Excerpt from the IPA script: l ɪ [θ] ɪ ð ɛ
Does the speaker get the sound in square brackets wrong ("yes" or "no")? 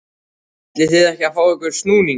no